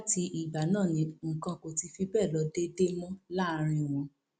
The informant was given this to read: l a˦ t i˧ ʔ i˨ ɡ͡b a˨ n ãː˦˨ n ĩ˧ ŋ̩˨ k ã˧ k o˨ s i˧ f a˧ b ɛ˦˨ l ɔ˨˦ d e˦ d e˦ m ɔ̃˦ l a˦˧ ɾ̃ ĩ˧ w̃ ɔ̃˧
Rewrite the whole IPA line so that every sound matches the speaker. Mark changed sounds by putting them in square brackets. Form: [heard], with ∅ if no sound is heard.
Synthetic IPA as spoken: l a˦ t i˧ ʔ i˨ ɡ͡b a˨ n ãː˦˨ n ĩ˧ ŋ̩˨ k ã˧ k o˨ [t] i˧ f [i˧] b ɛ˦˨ l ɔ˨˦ d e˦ d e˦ m ɔ̃˦ l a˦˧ ɾ̃ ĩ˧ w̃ ɔ̃˧